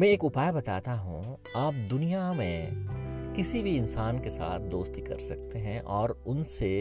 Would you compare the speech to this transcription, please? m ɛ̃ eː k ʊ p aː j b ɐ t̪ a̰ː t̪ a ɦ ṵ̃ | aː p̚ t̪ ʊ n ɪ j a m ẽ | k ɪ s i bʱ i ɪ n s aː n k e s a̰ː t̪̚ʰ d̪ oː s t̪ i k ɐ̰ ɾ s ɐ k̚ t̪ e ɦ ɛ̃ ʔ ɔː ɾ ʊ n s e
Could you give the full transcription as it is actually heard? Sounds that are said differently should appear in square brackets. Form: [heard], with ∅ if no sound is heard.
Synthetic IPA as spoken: m ɛ̃ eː k ʊ p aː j b ɐ t̪ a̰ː t̪ a ɦ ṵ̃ | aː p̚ [d̪] ʊ n [i] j a m ẽ | k ɪ s i bʱ i ɪ n s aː n k e s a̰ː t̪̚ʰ d̪ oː s t̪ i k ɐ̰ ɾ s ɐ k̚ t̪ e ɦ ɛ̃ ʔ ɔː ɾ ʊ n s e